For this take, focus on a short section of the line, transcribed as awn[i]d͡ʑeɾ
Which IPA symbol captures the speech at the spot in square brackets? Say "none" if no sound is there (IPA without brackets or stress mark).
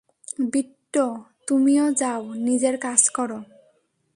i